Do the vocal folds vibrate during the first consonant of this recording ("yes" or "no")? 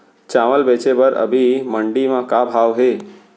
no